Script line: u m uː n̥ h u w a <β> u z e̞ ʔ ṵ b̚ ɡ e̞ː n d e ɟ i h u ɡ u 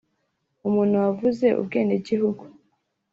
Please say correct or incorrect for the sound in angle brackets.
incorrect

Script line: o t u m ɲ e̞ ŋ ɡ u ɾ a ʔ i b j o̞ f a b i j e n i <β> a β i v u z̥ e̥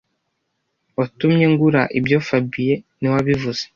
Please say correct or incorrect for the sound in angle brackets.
incorrect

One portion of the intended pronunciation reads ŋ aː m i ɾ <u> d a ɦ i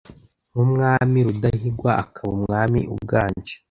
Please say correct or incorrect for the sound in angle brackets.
correct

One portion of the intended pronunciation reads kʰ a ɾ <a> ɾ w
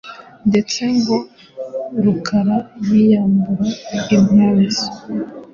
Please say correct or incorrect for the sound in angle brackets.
correct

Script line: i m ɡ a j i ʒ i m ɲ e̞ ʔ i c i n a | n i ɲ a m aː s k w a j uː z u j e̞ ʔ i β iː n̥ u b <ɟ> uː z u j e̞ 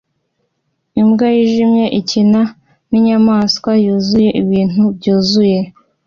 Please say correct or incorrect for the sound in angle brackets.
correct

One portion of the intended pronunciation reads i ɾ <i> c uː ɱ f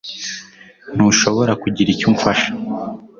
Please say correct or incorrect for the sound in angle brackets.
correct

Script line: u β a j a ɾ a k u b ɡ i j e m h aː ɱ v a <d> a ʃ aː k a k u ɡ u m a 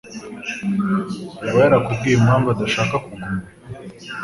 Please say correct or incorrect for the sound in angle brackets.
correct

